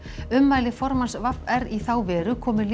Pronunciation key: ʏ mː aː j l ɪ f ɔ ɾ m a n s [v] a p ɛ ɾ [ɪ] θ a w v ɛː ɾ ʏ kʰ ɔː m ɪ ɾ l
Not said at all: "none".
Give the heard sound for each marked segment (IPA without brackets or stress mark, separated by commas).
v, i